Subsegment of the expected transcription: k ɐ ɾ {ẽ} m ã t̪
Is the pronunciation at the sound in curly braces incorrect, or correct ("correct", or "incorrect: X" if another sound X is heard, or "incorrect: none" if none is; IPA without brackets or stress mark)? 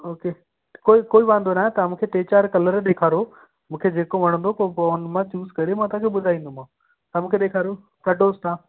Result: incorrect: e